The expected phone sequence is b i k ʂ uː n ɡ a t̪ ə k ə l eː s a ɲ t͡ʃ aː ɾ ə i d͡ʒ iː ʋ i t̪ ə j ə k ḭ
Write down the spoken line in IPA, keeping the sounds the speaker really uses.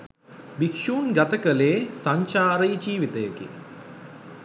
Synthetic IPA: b i k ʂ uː n ɡ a t̪ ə k ə l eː s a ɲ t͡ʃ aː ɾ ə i d͡ʒ iː ʋ i t̪ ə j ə k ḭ